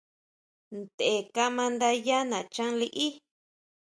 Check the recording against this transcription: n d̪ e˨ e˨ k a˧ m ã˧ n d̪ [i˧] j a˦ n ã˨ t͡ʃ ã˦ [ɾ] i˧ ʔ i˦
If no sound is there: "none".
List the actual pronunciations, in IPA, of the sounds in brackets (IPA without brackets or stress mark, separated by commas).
a˧, l